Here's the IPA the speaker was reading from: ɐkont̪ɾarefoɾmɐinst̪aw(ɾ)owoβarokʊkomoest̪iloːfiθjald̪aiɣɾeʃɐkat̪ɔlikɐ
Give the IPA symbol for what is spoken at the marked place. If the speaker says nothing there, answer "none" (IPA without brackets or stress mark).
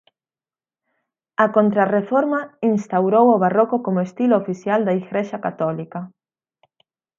ɾ